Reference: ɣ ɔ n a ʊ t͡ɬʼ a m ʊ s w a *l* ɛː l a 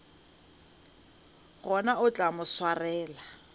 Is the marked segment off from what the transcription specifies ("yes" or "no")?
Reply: yes